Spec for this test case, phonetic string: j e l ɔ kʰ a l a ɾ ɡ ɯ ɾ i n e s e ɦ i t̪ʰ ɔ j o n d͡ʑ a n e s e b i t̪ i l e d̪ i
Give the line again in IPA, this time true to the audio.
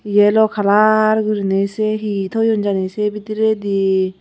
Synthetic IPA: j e l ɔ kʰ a l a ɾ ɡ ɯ ɾ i n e s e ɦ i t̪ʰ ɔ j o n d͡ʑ a n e s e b i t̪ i ɾ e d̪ i